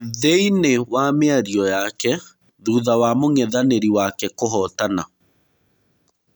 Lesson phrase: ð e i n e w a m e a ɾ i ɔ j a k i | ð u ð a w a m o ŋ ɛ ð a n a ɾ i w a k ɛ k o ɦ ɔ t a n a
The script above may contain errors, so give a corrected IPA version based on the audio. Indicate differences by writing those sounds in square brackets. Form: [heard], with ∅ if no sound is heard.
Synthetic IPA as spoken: ð e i n e w a m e a ɾ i ɔ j a k [ɛ] | ð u ð a w a m o ŋ ɛ ð a n [e] ɾ i w a k ɛ k o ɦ ɔ t a n a